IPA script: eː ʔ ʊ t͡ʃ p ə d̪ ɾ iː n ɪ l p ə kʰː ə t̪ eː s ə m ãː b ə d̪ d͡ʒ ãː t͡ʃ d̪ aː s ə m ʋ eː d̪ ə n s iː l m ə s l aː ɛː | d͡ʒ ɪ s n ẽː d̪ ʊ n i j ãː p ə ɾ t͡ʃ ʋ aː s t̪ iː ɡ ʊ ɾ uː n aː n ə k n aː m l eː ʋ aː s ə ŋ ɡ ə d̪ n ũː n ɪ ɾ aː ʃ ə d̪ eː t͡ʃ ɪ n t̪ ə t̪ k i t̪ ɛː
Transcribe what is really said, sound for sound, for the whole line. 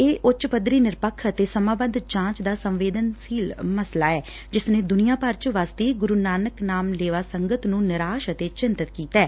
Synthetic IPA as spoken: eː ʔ ʊ t͡ʃ p ə d̪ ɾ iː n ɪ ɾ p ə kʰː ə t̪ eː s ə m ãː b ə d̪ d͡ʒ ãː t͡ʃ d̪ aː s ə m ʋ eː d̪ ə n s iː l m ə s l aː ɛː | d͡ʒ ɪ s n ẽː d̪ ʊ n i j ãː p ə ɾ t͡ʃ ʋ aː s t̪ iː ɡ ʊ ɾ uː n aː n ə k n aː m l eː ʋ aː s ə ŋ ɡ ə t̪ n ũː n ɪ ɾ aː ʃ ə t̪ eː t͡ʃ ɪ n t̪ ə t̪ k iː t̪ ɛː

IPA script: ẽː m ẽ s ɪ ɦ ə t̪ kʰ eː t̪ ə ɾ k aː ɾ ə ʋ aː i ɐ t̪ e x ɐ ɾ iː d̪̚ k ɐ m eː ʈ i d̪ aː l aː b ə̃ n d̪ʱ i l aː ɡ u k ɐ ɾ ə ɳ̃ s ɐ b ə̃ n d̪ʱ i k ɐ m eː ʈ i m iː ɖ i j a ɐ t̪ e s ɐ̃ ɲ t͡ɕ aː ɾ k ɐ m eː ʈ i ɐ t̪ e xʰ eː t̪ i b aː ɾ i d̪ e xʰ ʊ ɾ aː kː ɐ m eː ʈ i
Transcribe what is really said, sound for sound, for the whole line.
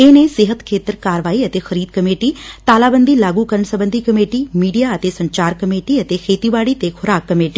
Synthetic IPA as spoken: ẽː n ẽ s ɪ ɦ ə t̪ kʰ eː t̪ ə ɾ k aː ɾ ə ʋ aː i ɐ t̪ e x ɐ ɾ iː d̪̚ k ɐ m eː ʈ i t̪ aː l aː b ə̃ n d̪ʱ i l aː ɡ u k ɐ ɾ ə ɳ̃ s ɐ b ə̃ n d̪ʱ i k ɐ m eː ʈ i m iː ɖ i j a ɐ t̪ e s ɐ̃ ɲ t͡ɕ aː ɾ k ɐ m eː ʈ i ɐ t̪ e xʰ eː t̪ i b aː ɽ i t̪ e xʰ ʊ ɾ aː kː ɐ m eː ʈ i

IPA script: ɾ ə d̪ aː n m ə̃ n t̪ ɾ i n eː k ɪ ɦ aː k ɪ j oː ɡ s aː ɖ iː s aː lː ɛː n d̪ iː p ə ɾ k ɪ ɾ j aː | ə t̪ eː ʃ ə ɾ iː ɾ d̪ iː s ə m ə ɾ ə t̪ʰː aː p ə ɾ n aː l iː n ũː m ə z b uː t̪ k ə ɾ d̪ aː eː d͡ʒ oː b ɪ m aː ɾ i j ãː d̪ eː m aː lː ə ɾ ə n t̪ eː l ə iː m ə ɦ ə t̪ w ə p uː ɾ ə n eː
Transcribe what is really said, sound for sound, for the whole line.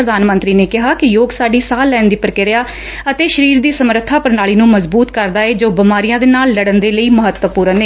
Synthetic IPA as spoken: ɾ ə d̪ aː n m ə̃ n t̪ ɾ iː n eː k ɪ ɦ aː k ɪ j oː ɡ s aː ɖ iː s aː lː ɛː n d̪ iː p ə ɾ k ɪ ɾ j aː | ə t̪ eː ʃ ə ɾ iː ɾ d̪ iː s ə m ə ɾ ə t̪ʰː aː p ə ɾ n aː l iː n ũː m ə z b uː t̪ k ə ɾ d̪ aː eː d͡ʒ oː b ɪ m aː ɾ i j ãː d̪ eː n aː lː ə ɽ ə n d̪ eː l ə iː m ə ɦ ə t̪ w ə p uː ɾ ə n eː

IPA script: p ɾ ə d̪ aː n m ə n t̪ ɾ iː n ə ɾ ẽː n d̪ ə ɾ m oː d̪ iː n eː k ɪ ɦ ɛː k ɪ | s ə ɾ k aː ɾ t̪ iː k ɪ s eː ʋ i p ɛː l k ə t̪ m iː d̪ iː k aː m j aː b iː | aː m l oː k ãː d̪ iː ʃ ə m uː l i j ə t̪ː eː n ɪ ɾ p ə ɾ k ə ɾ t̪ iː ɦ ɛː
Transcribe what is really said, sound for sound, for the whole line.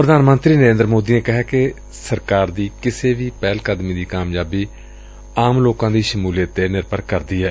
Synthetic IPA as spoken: p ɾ ə d̪ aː n m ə n t̪ ɾ iː n ə ɾ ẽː n d̪ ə ɾ m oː d̪ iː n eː k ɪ ɦ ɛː k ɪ | s ə ɾ k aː ɾ d̪ iː k ɪ s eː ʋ iː p ɛː l k ə d̪ m iː d̪ iː k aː m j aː b iː | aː m l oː k ãː d̪ iː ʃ ə m uː l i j ə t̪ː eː n ɪ ɾ p ə ɾ k ə ɾ d̪ iː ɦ ɛː

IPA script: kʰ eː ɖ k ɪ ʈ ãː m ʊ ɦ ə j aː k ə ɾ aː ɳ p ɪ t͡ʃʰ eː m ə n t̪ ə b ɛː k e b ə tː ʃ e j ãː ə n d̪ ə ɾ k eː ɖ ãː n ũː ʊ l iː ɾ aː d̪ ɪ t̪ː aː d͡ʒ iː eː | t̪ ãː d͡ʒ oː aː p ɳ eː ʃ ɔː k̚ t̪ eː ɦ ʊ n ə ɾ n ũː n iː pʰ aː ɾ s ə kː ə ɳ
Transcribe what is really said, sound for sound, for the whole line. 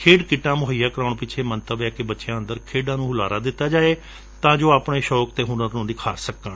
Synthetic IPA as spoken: kʰ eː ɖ k ɪ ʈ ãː m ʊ ɦ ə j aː k ə ɾ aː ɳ p ɪ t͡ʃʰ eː m ə n t̪ ə b ɛː k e b ə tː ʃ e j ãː ə n d̪ ə ɾ kʰ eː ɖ ãː n ũː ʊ l aː ɾ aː d̪ ɪ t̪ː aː d͡ʒ aː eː | t̪ ãː d͡ʒ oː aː p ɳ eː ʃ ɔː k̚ t̪ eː ɦ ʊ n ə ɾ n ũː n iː kʰ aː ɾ s ə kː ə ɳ

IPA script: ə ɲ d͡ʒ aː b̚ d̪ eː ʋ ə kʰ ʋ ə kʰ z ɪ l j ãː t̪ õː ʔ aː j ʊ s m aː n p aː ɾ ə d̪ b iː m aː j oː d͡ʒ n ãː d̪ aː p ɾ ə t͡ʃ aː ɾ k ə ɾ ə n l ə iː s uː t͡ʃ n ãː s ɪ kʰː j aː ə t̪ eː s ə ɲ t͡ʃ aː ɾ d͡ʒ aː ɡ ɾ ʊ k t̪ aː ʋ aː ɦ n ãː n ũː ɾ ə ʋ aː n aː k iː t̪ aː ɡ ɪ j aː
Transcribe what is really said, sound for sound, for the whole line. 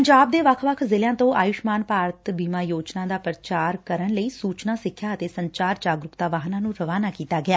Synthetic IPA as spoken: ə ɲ d͡ʒ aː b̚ d̪ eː ʋ ə kʰ ʋ ə kʰ z ɪ l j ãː t̪ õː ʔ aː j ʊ ʃ m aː n p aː ɾ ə t̪ b iː m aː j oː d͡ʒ n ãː d̪ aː p ɾ ə t͡ʃ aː ɾ k ə ɾ ə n l ə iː s uː t͡ʃ n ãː s ɪ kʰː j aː ə t̪ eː s ə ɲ t͡ʃ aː ɾ d͡ʒ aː ɡ ɾ ʊ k t̪ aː ʋ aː ɦ n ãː n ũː ɾ ə ʋ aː n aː k iː t̪ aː ɡ ɪ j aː

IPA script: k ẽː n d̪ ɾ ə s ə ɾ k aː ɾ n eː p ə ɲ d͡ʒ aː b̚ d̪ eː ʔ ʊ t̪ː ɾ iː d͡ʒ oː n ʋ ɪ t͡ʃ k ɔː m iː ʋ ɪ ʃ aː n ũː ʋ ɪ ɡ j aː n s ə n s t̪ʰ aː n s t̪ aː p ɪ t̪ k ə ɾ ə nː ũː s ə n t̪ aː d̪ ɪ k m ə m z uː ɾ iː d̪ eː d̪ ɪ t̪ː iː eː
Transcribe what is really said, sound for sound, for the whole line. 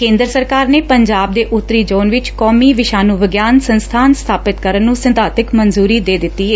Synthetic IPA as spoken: k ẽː n d̪ ɾ ə s ə ɾ k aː ɾ n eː p ə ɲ d͡ʒ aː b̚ d̪ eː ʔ ʊ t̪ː ɾ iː d͡ʒ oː n ʋ ɪ t͡ʃ k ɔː m iː ʋ ɪ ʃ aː n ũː ʋ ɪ ɡ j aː n s ə n s t̪ʰ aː n s t̪ʰ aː p ɪ t̪ k ə ɾ ə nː ũː s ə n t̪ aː t̪ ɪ k m ə n z uː ɾ iː d̪ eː d̪ ɪ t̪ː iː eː

